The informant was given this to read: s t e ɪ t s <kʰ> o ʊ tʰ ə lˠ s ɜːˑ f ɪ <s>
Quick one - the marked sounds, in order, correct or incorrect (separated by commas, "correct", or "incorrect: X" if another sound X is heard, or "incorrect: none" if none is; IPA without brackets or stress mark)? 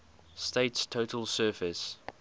incorrect: tʰ, correct